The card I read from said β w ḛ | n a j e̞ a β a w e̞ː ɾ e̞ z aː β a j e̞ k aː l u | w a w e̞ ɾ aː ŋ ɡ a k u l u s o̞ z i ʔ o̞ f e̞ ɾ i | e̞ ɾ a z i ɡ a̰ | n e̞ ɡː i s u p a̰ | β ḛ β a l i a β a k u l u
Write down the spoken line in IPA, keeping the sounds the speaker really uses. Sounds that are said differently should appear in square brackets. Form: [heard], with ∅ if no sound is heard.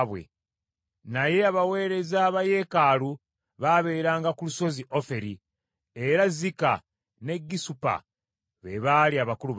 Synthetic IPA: β w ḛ | n a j e̞ a β a w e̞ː ɾ e̞ z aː β a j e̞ k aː l u | [β] a [β] e̞ ɾ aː ŋ ɡ a k u l u s o̞ z i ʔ o̞ f e̞ ɾ i | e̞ ɾ a z i [k] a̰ | n e̞ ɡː i s u p a̰ | β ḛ β a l i a β a k u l u